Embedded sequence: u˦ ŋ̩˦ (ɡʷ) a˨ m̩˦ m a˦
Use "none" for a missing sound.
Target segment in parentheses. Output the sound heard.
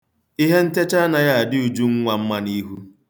ŋʷ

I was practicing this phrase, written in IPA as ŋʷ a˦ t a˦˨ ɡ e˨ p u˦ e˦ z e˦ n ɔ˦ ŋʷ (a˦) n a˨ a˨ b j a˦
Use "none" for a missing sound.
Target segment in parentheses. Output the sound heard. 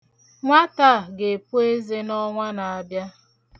a˦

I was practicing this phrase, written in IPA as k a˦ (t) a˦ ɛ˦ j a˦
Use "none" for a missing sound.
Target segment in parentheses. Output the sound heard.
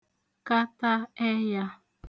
t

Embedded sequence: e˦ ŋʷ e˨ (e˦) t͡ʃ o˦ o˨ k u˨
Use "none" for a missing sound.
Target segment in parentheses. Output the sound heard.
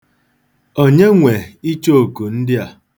i˦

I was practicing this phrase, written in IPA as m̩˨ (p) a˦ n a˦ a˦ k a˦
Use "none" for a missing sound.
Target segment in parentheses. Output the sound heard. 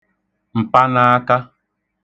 p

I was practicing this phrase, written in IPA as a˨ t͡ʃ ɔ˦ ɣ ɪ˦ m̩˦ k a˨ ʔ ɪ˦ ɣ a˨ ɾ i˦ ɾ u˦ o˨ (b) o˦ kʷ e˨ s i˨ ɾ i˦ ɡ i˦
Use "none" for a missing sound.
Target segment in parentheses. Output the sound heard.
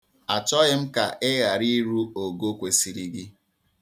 ɡ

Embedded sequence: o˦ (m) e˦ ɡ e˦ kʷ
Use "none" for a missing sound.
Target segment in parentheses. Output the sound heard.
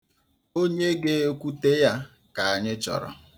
ɲ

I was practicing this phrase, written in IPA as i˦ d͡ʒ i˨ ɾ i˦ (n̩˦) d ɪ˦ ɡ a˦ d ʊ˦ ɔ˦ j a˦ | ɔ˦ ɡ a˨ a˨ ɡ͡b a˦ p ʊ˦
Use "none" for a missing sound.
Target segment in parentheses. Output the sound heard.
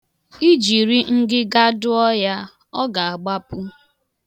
ŋ̩˦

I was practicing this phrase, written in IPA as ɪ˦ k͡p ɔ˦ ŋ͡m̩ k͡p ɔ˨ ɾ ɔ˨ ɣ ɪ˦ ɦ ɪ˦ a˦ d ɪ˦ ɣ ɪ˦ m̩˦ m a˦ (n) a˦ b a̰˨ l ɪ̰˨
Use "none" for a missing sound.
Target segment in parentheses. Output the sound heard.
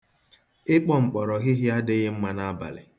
n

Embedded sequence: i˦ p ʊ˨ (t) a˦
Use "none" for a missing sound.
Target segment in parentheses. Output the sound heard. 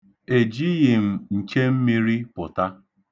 t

